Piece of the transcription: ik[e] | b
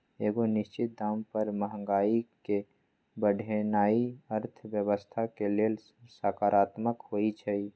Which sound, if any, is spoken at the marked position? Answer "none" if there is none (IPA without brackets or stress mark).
e